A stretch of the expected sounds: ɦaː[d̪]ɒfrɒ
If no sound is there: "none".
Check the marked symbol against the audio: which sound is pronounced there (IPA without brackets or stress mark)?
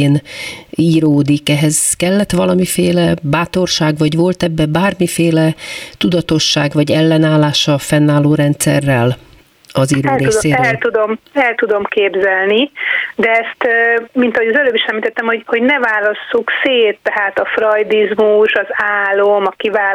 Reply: t̪